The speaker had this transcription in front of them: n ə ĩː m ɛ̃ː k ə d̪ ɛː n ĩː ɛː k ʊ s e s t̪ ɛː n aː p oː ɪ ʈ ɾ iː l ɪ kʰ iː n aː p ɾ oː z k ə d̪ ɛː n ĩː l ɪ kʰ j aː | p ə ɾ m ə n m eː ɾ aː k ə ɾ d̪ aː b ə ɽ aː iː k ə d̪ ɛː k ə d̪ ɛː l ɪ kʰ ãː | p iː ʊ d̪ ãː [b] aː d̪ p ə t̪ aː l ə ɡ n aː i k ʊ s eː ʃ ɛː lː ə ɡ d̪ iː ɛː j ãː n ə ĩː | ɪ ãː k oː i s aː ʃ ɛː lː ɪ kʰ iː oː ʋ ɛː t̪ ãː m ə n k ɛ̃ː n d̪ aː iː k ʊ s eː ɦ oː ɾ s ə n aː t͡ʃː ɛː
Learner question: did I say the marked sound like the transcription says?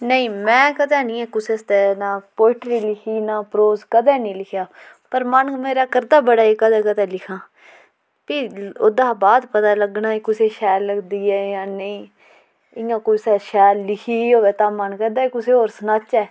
yes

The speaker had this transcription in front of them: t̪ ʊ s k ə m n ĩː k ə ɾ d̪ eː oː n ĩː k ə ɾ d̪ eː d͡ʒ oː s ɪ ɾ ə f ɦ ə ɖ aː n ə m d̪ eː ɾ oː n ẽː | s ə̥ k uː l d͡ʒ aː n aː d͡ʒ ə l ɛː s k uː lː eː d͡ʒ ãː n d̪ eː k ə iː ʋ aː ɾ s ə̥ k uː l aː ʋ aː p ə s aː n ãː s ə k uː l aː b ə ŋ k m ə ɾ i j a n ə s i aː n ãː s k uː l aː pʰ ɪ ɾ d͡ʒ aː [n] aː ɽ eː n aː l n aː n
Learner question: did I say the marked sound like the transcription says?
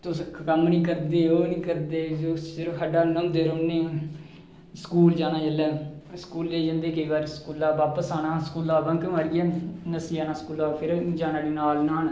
yes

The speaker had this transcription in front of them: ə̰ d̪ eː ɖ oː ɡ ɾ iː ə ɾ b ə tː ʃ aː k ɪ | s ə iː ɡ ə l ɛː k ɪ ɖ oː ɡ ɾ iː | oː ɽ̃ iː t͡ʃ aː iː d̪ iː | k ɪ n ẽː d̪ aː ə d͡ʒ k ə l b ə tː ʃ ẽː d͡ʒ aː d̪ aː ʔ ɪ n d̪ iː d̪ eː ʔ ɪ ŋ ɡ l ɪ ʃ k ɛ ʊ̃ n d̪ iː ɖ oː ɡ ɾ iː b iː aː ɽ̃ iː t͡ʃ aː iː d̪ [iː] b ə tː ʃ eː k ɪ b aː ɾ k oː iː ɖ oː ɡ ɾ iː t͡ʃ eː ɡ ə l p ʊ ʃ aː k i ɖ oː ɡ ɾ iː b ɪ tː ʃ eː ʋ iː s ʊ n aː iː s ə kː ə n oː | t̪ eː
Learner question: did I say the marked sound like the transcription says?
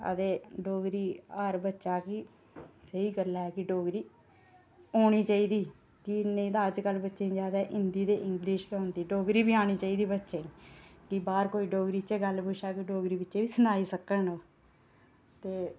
yes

